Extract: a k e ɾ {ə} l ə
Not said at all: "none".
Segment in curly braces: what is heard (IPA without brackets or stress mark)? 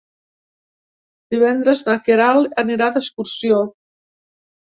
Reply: a